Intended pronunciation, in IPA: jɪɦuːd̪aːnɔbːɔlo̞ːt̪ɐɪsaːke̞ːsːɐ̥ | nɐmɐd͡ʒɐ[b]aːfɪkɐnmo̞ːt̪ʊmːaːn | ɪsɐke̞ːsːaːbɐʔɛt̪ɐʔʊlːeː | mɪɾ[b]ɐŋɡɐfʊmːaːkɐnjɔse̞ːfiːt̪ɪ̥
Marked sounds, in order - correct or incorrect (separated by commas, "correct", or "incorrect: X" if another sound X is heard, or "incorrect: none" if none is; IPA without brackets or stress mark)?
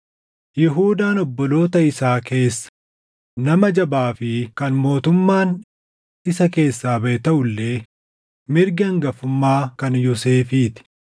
correct, incorrect: ɡ